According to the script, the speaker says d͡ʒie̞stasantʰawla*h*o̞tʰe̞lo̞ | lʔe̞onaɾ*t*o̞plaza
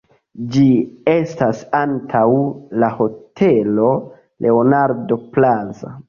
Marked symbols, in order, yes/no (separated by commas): yes, no